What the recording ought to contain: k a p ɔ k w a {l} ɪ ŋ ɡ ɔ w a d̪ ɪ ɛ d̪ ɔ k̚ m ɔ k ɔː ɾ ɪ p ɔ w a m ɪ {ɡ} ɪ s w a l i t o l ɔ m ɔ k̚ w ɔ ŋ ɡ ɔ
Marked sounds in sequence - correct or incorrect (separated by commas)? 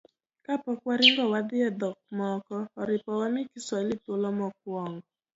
incorrect, incorrect